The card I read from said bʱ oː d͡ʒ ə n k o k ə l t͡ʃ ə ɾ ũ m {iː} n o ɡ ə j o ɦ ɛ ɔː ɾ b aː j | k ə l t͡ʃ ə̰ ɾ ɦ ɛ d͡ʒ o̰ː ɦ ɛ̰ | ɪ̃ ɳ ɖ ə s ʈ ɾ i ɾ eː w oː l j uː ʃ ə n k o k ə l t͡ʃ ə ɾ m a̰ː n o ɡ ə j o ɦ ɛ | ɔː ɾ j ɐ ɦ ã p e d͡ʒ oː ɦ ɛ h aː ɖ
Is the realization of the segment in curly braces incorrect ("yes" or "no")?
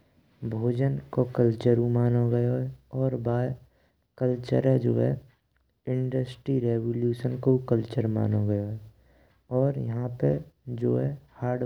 yes